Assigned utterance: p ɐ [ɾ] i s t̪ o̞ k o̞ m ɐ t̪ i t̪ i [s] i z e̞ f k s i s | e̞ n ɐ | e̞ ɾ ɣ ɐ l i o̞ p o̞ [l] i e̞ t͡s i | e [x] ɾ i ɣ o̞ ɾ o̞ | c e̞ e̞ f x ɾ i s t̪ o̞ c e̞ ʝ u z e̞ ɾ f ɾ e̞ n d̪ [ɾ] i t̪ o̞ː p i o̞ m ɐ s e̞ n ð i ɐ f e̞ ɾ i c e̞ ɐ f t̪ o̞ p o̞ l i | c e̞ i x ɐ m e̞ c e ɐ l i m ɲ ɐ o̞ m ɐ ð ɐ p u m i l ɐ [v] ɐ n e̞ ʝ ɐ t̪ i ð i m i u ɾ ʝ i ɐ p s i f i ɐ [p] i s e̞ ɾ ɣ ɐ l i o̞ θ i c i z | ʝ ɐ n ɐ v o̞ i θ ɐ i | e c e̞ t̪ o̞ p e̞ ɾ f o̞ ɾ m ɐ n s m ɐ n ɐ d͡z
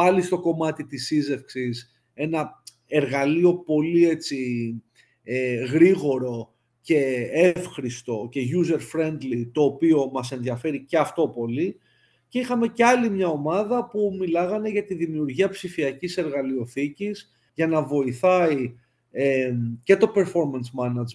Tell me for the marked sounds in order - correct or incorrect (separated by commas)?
incorrect, correct, correct, incorrect, incorrect, incorrect, incorrect